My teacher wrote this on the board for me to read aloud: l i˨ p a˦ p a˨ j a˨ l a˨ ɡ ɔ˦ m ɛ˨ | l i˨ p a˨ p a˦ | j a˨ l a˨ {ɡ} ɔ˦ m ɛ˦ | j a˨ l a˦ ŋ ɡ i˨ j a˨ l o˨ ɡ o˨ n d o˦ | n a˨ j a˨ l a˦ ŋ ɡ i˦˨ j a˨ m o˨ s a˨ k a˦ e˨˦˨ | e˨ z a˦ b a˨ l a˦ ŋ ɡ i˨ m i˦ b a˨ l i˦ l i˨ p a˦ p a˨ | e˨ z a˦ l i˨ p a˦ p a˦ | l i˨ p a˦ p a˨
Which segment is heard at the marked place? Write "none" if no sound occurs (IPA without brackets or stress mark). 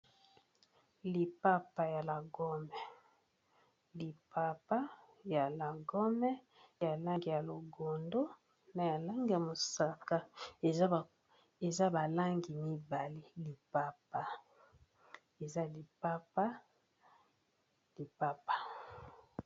ɡ